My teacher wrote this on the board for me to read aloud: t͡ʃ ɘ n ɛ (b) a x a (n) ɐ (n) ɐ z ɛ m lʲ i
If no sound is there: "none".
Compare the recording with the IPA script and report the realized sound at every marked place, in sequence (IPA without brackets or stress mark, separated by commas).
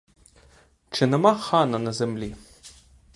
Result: m, n, n